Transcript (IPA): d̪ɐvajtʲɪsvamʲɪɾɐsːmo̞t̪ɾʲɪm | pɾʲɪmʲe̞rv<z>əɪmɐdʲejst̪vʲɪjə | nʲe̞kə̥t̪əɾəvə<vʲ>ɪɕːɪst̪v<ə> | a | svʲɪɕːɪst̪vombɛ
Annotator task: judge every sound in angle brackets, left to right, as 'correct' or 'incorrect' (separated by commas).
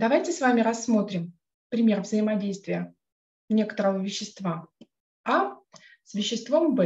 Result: correct, correct, incorrect